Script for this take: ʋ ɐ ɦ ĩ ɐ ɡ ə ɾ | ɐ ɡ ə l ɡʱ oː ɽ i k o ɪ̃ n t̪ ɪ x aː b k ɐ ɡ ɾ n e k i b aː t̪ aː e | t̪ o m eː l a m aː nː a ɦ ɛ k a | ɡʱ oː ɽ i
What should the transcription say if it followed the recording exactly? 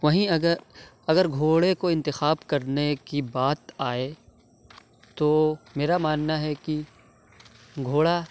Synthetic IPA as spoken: ʋ ɐ ɦ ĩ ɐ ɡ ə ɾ | ɐ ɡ ə ɾ ɡʱ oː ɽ e k o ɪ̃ n t̪ ɪ x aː b k ɐ ɾ n e k i b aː t̪ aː e | t̪ o m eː ɾ a m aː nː a ɦ ɛ k i | ɡʱ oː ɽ a

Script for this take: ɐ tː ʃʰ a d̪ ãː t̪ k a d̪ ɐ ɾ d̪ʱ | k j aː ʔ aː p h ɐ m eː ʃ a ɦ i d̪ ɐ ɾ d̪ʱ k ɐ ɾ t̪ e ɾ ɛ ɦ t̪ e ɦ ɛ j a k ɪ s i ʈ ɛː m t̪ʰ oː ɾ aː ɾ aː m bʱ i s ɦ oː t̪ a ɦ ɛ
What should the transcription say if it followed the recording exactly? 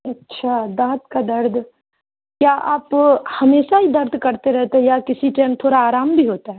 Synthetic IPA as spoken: ɐ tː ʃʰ a d̪ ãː t̪ k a d̪ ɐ ɾ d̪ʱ | k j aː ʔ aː p h ɐ m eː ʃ a ɦ i d̪ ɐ ɾ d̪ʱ k ɐ ɾ t̪ e ɾ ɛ ɦ t̪ e ɦ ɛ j a k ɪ s i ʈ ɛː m t̪ʰ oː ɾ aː ɾ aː m bʱ i ɦ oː t̪ a ɦ ɛ

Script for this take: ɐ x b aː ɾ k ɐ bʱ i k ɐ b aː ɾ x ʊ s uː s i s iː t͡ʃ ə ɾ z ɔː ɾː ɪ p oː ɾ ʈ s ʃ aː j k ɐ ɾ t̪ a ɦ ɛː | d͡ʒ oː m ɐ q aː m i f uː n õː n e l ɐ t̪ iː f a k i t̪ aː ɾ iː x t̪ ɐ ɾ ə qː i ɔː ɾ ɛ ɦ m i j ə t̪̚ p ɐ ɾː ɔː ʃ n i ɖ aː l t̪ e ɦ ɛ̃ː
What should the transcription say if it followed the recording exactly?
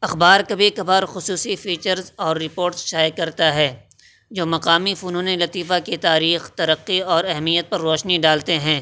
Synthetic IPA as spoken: ɐ x b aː ɾ k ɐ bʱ i k ɐ b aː ɾ x ʊ s uː s i f iː t͡ʃ ə ɾ z ɔː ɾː ɪ p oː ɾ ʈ s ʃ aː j k ɐ ɾ t̪ a ɦ ɛː | d͡ʒ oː m ɐ q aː m i f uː n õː n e l ɐ t̪ iː f a k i t̪ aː ɾ iː x t̪ ɐ ɾ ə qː i ɔː ɾ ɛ ɦ m i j ə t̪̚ p ɐ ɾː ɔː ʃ n i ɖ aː l t̪ e ɦ ɛ̃ː

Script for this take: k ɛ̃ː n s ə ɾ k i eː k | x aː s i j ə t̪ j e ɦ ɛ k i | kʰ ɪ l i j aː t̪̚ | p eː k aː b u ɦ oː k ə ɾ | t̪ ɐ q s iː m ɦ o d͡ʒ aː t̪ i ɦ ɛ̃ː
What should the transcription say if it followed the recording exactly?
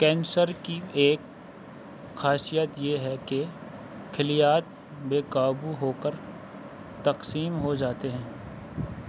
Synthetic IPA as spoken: k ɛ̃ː n s ə ɾ k i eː k | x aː s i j ə t̪ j e ɦ ɛ k e | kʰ ɪ l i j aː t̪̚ | b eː k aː b u ɦ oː k ə ɾ | t̪ ɐ q s iː m ɦ o d͡ʒ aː t̪ e ɦ ɛ̃ː

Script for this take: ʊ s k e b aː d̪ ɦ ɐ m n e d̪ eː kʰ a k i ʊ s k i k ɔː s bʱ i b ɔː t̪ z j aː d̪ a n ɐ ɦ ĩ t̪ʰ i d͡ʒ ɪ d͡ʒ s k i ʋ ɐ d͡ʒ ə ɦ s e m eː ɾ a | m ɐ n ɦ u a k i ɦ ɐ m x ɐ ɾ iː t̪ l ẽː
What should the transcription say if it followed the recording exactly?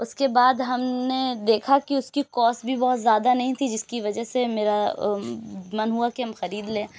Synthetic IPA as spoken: ʊ s k e b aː d̪ ɦ ɐ m n e d̪ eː kʰ a k i ʊ s k i k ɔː s bʱ i b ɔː t̪ z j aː d̪ a n ɐ ɦ ĩ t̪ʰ i d͡ʒ ɪ s k i ʋ ɐ d͡ʒ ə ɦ s e m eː ɾ a | m ɐ n ɦ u a k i ɦ ɐ m x ɐ ɾ iː d̪ l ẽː

